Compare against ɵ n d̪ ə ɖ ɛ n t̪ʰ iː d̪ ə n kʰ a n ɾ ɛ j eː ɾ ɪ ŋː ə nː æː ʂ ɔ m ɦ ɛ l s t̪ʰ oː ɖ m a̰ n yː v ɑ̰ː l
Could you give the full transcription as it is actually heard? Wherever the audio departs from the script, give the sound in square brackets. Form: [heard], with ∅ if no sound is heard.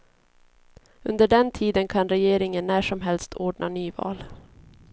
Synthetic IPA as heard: ɵ n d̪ ə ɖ ɛ n t̪ʰ iː d̪ ə n kʰ a n ɾ ɛ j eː ɾ ɪ [ŋ] ə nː æː ʂ ɔ m ɦ ɛ l s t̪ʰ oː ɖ [ɳ] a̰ n yː v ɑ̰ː l